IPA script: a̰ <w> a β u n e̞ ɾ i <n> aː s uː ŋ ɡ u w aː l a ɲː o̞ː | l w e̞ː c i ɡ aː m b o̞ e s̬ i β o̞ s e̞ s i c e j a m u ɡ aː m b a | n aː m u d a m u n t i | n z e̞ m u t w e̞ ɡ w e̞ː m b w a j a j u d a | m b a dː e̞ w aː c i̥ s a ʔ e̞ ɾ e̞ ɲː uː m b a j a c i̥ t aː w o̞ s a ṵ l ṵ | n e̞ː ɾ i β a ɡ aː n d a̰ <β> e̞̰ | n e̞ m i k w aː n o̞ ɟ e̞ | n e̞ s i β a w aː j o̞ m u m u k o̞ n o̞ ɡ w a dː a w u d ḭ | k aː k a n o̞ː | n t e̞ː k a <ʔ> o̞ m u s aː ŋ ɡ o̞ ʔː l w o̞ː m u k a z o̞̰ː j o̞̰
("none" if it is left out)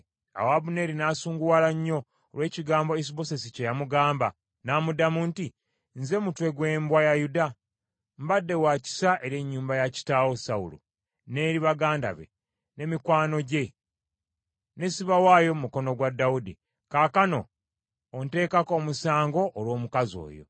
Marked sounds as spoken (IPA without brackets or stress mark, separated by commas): w, n, β, k